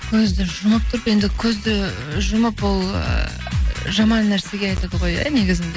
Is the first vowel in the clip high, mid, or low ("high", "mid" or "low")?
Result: mid